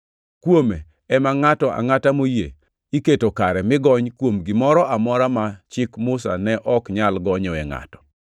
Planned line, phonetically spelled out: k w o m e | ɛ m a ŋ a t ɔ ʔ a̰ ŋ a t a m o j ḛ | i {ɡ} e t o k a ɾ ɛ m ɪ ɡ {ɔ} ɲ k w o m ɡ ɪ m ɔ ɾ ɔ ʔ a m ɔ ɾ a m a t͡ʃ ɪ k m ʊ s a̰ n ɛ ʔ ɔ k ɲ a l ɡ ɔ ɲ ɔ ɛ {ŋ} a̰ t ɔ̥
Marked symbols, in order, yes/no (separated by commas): no, yes, yes